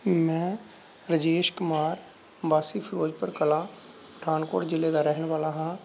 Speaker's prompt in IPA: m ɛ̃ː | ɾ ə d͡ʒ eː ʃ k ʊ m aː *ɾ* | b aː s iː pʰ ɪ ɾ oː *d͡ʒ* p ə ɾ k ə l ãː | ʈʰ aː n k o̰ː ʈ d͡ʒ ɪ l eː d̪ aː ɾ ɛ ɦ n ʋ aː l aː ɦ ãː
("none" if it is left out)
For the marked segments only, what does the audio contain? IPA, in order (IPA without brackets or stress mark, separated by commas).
ɾ, d͡ʒ